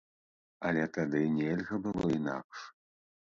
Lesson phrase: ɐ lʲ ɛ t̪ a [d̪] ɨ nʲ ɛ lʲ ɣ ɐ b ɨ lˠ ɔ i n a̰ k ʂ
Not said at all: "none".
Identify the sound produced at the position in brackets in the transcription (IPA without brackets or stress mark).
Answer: d̪